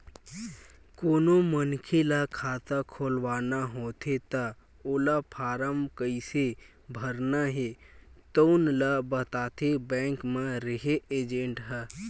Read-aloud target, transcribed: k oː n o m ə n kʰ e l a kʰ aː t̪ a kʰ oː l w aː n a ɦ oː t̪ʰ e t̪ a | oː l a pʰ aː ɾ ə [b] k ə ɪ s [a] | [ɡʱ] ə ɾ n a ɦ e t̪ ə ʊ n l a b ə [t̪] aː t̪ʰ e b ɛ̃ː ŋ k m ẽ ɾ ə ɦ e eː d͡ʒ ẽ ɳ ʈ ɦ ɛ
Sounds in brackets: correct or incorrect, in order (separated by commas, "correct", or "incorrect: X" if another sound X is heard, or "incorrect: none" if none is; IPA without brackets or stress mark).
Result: incorrect: m, incorrect: e, incorrect: bʱ, correct